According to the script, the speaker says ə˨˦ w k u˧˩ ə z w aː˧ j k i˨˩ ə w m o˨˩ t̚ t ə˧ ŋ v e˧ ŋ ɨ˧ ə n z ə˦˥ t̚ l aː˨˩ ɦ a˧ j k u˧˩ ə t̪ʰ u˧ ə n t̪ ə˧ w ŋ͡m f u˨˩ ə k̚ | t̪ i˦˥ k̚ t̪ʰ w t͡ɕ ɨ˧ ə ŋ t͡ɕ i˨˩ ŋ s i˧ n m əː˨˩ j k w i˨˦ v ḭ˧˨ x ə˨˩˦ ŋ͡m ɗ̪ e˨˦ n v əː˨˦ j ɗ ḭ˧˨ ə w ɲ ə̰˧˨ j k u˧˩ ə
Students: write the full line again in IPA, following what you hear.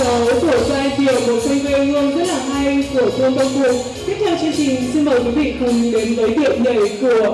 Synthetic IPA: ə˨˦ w k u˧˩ ə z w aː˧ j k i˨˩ ə w m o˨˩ t̚ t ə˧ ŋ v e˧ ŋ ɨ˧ ə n z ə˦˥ t̚ l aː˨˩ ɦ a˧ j k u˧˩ ə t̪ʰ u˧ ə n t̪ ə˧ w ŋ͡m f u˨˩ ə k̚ | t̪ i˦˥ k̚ t̪ʰ w t͡ɕ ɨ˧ ə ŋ t͡ɕ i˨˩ ŋ s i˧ n m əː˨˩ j k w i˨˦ v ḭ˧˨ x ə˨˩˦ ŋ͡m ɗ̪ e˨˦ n v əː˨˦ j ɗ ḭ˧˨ ə w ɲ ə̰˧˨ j k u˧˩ ə